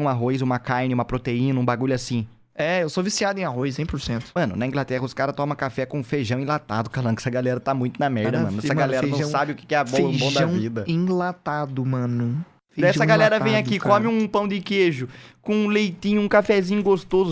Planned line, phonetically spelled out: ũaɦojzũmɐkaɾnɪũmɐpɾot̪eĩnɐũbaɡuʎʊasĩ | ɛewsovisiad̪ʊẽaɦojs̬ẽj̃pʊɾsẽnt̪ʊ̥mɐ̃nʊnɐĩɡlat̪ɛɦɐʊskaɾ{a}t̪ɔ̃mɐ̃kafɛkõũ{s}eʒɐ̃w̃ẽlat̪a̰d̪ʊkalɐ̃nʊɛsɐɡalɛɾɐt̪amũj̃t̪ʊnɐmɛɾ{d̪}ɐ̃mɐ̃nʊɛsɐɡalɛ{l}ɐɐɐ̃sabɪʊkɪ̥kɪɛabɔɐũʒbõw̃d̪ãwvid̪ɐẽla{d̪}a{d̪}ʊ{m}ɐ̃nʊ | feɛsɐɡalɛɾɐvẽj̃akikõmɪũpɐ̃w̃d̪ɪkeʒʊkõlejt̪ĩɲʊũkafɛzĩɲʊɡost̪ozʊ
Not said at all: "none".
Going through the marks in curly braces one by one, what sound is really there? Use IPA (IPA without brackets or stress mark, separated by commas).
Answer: ɐ, f, d̪, ɾ, t̪, d̪, m